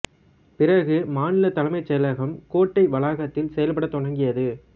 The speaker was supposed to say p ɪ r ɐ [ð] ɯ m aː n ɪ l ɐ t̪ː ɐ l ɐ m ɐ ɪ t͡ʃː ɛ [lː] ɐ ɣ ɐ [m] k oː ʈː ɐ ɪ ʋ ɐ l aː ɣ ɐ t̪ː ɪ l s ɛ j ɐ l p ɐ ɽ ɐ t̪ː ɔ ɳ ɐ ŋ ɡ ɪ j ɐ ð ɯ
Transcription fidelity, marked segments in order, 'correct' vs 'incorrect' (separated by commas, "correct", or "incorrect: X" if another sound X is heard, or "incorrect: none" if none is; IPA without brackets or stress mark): incorrect: ɣ, incorrect: l, correct